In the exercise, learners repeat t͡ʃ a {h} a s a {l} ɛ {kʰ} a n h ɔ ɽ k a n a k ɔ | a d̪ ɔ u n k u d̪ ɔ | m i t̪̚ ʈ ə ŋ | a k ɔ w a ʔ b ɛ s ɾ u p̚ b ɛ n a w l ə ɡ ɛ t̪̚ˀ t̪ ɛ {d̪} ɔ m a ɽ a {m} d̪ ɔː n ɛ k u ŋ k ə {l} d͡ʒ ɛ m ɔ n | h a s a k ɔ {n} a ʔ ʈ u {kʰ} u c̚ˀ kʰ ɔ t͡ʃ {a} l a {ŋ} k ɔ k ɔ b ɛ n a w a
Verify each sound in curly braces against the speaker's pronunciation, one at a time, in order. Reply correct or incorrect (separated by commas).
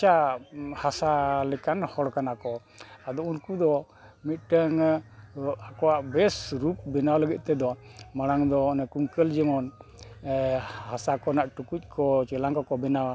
correct, correct, incorrect, correct, incorrect, correct, correct, incorrect, incorrect, correct